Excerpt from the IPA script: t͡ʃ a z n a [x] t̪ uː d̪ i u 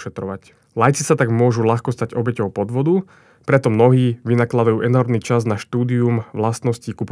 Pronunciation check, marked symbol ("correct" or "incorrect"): incorrect